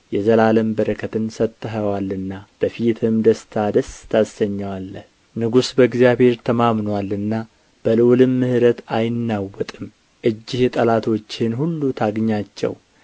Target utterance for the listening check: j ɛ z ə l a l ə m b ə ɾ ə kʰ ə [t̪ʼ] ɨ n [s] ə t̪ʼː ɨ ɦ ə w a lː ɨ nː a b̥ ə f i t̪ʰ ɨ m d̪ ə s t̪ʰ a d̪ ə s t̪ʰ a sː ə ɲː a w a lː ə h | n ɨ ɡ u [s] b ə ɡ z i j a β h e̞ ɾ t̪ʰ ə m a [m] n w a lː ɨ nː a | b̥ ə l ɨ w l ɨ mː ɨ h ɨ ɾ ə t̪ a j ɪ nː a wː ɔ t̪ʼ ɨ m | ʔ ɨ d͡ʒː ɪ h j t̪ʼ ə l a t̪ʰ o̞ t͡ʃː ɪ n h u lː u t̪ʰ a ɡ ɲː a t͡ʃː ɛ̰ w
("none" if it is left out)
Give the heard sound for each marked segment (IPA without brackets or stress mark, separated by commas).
t̪, s, s, m